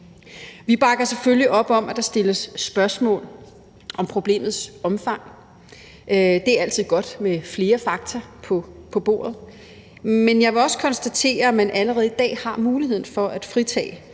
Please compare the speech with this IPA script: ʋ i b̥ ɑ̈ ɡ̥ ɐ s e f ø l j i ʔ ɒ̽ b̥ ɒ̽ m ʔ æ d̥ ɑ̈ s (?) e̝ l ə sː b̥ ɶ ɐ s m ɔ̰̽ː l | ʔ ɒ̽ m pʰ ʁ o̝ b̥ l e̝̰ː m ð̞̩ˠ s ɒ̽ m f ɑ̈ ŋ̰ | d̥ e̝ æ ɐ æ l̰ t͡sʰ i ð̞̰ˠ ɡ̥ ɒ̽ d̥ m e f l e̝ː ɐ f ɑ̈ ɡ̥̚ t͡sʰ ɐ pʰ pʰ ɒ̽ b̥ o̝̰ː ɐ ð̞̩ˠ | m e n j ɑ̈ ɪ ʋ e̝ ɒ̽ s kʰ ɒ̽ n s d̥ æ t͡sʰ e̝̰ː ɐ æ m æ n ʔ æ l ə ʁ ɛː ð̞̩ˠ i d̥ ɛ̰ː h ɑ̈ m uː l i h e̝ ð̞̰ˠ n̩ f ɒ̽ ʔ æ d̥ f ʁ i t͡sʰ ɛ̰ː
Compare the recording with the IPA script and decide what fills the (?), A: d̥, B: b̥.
A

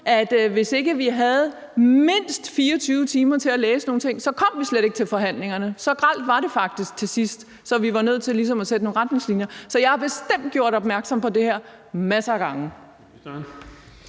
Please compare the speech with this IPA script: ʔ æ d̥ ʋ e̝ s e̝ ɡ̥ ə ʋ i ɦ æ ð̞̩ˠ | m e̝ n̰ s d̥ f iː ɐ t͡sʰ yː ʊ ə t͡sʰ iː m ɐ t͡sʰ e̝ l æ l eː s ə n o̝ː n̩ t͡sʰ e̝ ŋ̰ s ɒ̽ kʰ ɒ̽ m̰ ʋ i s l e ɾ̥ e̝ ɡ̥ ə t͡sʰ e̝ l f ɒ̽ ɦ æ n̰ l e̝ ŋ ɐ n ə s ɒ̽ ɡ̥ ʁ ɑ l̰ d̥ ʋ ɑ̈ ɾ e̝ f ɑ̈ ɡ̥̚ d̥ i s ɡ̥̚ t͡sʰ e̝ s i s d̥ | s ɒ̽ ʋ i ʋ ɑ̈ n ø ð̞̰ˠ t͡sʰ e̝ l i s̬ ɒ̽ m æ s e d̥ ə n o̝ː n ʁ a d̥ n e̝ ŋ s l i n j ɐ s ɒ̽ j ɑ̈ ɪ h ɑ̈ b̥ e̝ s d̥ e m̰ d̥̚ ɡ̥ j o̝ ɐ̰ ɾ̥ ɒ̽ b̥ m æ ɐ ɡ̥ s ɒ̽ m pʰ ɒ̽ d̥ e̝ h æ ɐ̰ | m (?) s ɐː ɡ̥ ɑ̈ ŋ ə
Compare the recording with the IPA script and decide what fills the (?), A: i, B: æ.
B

